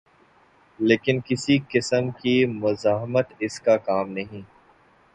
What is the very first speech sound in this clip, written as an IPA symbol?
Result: l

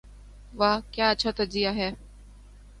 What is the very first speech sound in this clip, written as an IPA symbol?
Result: ʋ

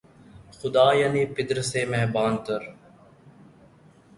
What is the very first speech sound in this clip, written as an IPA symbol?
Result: x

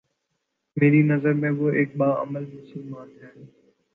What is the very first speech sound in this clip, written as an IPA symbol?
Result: m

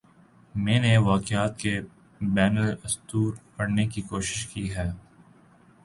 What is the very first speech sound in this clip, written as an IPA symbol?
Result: m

